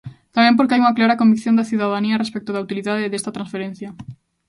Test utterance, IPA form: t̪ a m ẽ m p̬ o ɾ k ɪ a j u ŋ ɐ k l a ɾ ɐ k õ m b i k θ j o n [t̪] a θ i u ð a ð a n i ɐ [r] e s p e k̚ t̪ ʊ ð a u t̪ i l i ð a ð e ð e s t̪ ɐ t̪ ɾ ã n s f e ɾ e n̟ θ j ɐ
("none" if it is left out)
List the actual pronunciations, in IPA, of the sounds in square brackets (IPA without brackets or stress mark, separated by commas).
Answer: d̪, r